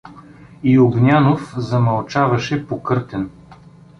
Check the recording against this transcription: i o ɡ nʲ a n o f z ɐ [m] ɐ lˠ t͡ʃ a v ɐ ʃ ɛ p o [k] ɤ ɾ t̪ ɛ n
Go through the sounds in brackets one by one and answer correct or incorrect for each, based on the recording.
correct, correct

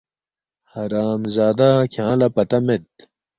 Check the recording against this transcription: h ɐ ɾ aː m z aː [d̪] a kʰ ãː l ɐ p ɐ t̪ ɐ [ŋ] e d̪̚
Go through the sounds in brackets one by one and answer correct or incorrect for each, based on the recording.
correct, incorrect: m

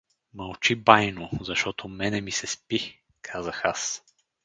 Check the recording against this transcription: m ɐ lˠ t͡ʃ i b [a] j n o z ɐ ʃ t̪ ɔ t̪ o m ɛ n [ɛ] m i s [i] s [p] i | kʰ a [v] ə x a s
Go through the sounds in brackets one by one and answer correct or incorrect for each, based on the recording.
correct, correct, incorrect: ɛ, correct, incorrect: z

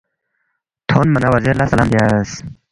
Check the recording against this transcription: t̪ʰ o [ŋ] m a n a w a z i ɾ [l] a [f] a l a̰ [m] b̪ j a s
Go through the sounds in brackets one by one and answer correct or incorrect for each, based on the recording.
incorrect: n, correct, incorrect: s, correct

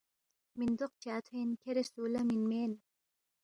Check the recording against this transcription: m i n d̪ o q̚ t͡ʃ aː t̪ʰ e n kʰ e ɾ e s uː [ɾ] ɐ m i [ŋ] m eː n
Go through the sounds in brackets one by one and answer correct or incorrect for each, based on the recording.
incorrect: l, incorrect: n

